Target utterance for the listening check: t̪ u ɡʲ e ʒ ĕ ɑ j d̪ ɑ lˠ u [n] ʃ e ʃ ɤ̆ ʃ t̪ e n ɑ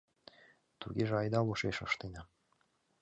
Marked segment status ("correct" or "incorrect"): incorrect